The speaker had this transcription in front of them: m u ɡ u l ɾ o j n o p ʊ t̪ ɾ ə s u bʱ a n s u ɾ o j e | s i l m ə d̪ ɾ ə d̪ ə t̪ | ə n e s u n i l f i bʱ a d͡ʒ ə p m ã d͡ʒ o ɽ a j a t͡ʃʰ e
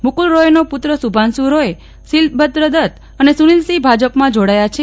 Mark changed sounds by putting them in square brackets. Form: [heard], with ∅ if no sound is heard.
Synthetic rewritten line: m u [k] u l ɾ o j n o p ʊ t̪ ɾ ə s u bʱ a n s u ɾ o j e | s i l [b] ə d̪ ɾ ə d̪ ə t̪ | ə n e s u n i l [s] i bʱ a d͡ʒ ə p m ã d͡ʒ o ɽ a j a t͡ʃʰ e